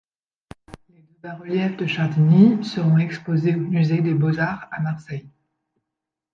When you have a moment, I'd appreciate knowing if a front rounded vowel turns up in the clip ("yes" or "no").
yes